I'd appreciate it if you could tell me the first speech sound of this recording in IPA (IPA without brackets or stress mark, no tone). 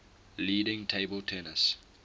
l